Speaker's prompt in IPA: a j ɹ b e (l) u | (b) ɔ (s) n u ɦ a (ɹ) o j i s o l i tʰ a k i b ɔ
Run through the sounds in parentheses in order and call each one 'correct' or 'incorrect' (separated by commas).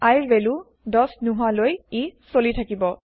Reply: correct, incorrect, correct, incorrect